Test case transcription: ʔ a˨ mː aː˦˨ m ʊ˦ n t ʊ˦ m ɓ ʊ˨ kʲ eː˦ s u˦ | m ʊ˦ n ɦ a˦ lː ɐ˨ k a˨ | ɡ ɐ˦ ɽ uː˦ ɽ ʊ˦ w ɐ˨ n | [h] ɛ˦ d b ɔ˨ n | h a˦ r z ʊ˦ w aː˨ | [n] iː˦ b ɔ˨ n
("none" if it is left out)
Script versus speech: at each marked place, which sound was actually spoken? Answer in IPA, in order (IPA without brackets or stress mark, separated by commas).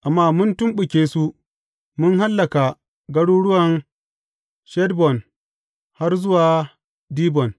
ʃ, d